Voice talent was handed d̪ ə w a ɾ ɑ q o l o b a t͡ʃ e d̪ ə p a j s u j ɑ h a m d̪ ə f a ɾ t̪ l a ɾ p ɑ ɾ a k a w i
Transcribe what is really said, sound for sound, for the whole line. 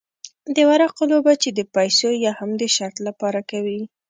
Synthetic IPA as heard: d̪ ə w a ɾ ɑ q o l o b a t͡ʃ e d̪ ə p a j s o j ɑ h a m d̪ ə ʃ a ɾ t̪ l a p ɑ ɾ a k a w i